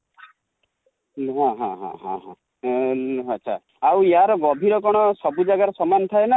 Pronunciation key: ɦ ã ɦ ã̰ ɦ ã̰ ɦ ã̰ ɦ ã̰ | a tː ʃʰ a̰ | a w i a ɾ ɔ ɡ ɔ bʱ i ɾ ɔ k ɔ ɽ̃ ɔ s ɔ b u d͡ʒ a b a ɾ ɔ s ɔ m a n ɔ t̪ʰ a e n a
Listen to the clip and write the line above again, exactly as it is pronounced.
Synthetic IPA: ɦ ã ɦ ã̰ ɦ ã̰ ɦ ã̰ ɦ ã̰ | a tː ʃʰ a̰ | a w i a ɾ ɔ ɡ ɔ bʱ i ɾ ɔ k ɔ ɽ̃ ɔ s ɔ b u d͡ʒ a ɡ a ɾ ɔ s ɔ m a n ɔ t̪ʰ a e n a